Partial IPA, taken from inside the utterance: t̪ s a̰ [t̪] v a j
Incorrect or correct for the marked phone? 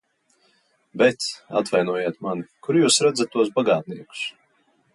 correct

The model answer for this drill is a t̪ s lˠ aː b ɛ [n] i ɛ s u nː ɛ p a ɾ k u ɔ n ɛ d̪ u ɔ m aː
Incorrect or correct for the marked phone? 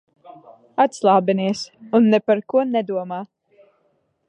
correct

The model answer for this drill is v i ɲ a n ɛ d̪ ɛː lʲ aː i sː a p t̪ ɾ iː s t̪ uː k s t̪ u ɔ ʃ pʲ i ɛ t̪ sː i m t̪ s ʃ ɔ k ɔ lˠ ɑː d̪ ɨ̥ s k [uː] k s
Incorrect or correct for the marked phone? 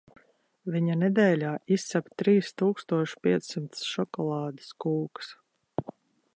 correct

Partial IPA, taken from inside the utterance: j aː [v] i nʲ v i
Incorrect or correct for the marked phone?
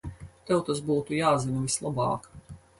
incorrect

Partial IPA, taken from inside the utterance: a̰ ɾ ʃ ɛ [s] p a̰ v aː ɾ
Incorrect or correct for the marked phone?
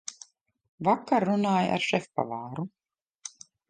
incorrect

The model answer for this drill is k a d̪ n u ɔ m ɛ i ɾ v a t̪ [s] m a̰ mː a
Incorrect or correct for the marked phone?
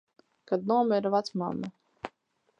correct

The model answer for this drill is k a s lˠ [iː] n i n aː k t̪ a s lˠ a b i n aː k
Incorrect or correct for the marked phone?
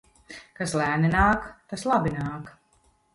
incorrect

